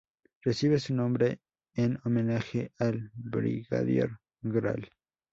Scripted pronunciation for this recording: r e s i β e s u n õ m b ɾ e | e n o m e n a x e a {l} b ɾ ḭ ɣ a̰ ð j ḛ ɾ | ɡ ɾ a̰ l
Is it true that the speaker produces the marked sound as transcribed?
yes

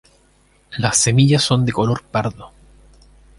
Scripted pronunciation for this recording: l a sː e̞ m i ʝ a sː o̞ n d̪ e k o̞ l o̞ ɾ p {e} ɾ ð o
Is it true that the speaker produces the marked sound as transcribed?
no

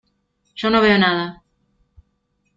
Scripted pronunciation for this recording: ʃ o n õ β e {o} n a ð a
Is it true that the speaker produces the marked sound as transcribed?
yes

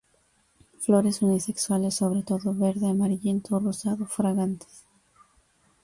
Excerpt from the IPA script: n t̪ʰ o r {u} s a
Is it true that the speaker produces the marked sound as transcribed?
no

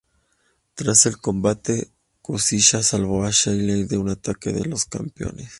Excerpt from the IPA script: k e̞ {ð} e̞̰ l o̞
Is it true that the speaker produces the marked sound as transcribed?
yes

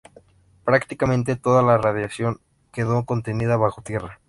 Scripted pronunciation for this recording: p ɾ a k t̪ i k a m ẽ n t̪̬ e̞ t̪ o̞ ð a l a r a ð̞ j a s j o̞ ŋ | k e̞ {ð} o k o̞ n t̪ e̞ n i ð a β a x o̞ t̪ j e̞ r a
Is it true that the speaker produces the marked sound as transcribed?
yes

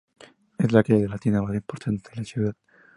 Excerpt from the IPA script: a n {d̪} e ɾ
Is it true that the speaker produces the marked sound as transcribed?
no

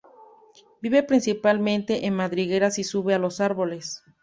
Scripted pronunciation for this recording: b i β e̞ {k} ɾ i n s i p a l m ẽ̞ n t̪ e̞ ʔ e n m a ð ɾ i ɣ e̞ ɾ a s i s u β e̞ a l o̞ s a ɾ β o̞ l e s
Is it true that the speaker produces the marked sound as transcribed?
no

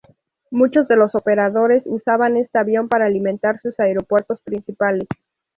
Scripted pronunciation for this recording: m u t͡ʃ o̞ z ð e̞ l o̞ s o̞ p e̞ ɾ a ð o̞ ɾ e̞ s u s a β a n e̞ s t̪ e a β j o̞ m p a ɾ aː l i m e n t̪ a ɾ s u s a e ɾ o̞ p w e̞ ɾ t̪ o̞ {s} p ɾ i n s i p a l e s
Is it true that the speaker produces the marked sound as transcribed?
yes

